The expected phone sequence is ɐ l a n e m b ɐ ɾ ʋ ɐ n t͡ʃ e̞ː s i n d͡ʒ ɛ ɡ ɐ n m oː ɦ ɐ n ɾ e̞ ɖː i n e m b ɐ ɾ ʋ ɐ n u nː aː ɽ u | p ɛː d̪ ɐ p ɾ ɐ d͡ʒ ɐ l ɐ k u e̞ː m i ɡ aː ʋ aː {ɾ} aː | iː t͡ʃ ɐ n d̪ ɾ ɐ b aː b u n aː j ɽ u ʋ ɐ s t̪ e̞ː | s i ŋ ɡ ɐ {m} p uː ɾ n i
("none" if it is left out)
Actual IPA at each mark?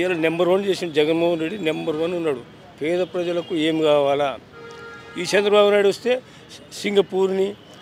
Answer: l, none

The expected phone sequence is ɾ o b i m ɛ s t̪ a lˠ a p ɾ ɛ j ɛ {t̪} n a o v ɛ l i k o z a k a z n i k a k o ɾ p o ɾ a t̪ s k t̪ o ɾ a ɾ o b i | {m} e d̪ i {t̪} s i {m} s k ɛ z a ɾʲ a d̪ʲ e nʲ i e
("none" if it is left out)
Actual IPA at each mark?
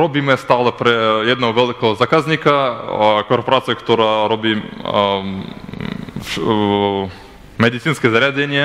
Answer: d̪, m, t̪, n

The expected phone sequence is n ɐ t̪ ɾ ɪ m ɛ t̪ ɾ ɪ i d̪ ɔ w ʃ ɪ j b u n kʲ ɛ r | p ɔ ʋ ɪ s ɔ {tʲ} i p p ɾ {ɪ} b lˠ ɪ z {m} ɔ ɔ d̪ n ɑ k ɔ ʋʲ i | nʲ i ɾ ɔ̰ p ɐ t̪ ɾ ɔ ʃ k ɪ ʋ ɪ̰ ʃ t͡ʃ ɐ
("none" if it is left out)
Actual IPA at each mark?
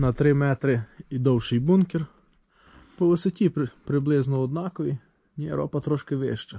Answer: tʲ, ɪ, n

